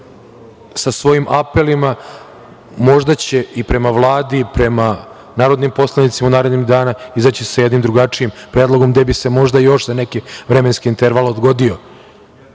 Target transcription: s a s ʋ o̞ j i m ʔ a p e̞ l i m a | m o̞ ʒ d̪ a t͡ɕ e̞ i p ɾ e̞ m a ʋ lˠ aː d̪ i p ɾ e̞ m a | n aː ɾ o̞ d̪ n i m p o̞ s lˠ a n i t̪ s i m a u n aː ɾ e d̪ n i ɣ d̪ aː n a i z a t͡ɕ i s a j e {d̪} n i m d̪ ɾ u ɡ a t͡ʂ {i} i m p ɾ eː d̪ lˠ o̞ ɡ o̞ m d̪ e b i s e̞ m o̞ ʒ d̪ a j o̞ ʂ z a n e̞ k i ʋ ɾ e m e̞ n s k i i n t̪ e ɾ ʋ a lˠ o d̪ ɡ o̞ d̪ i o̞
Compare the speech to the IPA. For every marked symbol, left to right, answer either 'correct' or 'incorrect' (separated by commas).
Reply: correct, correct